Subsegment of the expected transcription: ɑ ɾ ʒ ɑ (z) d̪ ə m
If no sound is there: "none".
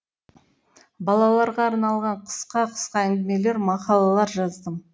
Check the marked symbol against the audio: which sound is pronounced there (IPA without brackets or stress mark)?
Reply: z